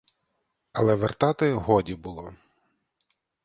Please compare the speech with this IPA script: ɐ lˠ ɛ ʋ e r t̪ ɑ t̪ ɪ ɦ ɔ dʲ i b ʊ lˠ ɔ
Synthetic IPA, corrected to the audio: ɐ lˠ ɛ ʋ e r t̪ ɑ t̪ ɪ ɦ ɔ dʲ i b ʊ lˠ ɔ